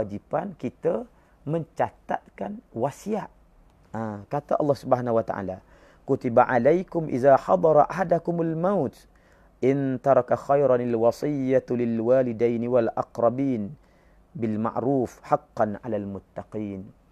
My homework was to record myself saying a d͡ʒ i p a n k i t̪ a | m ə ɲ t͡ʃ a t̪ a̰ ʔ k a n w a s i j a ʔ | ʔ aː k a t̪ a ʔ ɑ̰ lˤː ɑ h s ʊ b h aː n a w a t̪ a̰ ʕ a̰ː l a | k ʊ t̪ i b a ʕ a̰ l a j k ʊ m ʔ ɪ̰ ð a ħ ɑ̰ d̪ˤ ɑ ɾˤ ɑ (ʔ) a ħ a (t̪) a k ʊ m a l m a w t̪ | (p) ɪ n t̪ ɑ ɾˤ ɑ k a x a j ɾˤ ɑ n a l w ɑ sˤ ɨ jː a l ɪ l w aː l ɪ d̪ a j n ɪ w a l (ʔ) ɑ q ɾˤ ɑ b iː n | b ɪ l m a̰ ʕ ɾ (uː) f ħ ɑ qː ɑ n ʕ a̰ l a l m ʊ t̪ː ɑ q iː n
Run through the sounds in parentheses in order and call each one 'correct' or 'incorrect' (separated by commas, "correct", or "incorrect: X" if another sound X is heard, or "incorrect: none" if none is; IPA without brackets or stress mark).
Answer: correct, incorrect: d̪, incorrect: ʔ, correct, correct